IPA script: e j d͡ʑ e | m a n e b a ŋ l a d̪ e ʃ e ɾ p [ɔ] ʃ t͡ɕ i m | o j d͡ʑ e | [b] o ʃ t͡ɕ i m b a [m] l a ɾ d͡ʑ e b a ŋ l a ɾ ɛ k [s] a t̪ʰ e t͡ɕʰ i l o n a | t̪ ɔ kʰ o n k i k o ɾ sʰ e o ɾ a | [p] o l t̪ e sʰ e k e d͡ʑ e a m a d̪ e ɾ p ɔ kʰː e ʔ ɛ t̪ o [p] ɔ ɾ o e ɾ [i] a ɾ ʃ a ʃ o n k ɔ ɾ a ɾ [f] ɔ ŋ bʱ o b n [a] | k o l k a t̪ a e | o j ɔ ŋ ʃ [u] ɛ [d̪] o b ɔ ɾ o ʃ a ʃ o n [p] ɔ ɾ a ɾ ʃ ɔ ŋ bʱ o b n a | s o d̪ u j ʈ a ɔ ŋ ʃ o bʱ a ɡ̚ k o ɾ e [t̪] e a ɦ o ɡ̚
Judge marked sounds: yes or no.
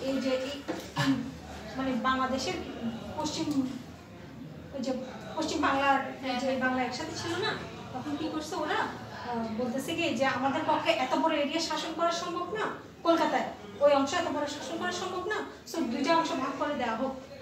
no, no, no, no, no, no, yes, no, yes, no, no, no, no

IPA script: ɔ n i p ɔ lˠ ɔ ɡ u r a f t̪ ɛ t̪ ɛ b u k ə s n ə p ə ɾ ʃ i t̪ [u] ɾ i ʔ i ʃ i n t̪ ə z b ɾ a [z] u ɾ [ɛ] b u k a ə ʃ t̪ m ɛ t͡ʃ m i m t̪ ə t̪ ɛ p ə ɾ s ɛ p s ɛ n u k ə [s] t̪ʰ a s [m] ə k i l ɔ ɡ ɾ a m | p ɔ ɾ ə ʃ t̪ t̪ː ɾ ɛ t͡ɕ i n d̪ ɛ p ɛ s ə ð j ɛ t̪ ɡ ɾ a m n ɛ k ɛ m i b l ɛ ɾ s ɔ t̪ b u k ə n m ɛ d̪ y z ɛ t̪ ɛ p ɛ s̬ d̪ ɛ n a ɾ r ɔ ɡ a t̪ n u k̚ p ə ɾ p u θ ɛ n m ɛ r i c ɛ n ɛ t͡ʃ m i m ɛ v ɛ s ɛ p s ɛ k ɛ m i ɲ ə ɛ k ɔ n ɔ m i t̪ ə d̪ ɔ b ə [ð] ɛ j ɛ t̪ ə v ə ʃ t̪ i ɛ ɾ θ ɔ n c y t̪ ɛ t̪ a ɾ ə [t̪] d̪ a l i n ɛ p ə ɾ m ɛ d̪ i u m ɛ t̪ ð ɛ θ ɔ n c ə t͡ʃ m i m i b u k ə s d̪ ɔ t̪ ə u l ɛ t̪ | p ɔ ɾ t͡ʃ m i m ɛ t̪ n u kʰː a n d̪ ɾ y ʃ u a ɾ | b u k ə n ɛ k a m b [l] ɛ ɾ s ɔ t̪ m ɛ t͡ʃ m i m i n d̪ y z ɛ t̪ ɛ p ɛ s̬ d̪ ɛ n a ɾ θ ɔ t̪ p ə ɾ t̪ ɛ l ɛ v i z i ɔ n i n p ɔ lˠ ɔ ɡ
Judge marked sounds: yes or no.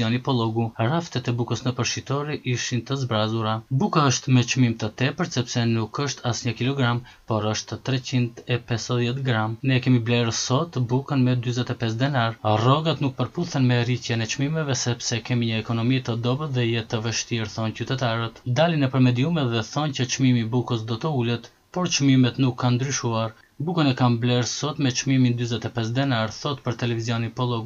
no, yes, no, no, no, yes, yes, yes

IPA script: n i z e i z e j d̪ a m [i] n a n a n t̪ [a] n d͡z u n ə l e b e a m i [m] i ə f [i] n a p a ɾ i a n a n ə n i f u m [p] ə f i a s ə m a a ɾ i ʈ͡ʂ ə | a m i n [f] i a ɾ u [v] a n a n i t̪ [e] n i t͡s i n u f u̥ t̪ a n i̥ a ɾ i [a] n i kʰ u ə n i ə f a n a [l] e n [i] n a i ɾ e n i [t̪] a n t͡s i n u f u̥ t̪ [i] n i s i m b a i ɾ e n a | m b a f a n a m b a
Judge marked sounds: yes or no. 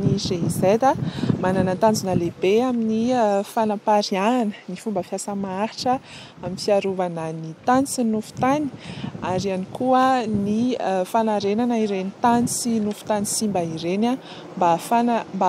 no, yes, no, no, no, yes, yes, no, yes, no, no, yes, no

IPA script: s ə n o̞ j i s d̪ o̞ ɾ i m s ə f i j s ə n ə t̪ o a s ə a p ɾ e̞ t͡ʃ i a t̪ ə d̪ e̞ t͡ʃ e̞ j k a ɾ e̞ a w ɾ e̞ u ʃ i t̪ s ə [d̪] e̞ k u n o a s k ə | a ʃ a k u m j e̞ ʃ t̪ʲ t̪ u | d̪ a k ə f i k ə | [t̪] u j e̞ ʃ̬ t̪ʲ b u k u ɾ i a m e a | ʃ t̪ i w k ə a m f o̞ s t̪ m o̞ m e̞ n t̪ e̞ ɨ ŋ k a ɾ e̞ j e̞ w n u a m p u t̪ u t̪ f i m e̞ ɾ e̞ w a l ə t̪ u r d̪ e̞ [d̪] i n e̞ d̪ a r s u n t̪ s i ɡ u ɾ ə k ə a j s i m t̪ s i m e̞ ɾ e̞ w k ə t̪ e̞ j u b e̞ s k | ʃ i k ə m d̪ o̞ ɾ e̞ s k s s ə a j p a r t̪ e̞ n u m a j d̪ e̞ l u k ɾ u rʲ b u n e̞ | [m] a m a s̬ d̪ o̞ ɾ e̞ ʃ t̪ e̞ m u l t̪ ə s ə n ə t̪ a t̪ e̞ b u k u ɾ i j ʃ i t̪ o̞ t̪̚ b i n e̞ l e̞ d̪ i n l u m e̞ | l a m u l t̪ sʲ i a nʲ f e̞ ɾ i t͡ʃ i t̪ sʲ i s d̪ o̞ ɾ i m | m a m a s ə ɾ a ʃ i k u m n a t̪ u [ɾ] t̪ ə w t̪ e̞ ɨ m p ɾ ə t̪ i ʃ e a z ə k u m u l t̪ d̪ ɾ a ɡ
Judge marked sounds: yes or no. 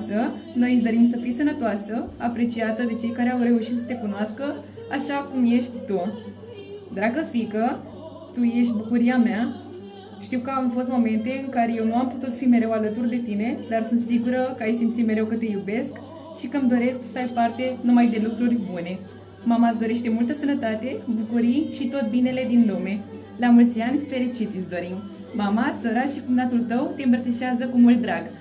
no, yes, no, yes, no

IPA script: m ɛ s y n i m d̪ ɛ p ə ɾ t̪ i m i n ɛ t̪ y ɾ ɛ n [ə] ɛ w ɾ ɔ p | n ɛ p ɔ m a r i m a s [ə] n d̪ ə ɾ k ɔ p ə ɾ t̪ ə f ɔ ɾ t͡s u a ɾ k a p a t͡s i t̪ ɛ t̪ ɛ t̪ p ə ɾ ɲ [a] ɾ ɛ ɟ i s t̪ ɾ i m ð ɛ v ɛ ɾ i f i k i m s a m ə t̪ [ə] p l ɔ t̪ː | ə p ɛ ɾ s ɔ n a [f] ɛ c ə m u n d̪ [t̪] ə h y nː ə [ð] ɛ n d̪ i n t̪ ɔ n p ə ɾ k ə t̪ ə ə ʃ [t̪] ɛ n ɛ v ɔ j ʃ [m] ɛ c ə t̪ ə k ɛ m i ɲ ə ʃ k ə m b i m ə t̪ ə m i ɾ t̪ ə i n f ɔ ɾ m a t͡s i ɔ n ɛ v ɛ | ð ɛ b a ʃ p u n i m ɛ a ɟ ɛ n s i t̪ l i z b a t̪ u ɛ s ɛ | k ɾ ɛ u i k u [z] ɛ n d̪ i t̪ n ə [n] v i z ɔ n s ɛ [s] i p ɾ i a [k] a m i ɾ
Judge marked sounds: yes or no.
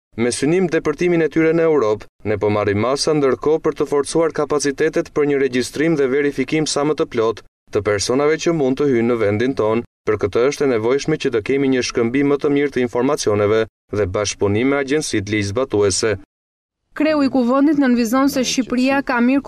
yes, no, no, yes, no, yes, no, yes, yes, no, yes, no, yes

